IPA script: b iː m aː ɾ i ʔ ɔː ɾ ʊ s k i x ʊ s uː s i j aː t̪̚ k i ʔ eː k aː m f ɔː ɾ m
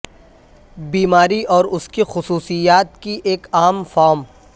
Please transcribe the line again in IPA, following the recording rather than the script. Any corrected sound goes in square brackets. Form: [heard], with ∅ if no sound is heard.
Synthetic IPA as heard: b iː m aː ɾ i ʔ ɔː ɾ ʊ s k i x ʊ s uː s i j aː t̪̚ k i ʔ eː k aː m f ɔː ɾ m